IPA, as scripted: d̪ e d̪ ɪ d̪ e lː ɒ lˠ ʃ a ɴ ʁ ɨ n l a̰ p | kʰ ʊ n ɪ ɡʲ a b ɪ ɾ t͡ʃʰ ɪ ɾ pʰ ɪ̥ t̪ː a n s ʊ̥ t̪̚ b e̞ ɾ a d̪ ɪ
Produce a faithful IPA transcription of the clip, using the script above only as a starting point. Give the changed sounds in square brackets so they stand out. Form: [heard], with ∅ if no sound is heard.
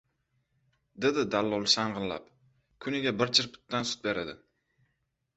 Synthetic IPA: d̪ e d̪ ɪ d̪ [a] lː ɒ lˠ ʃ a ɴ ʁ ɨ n l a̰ p | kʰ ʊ n ɪ ɡʲ a b ɪ ɾ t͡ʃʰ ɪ ɾ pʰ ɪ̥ t̪ː a n s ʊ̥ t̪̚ b e̞ ɾ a d̪ ɪ